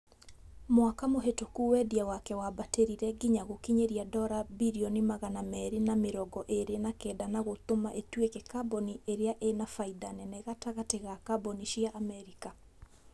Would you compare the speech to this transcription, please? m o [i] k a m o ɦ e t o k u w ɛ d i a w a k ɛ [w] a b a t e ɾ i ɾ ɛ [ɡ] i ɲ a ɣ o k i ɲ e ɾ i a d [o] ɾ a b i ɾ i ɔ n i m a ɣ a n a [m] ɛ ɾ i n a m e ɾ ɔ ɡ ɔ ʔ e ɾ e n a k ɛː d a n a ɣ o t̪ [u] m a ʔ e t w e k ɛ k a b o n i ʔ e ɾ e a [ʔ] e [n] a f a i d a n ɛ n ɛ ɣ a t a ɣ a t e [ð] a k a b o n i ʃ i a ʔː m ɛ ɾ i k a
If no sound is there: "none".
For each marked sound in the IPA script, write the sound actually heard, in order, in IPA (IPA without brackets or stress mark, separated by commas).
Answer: a, w, ɡ, ɔ, m, o, ʔ, n, ɣ